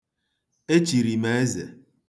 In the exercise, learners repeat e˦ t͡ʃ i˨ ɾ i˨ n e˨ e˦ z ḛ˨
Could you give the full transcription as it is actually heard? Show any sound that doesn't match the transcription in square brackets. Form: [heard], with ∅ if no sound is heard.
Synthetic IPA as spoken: e˦ t͡ʃ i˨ ɾ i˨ [m] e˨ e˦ z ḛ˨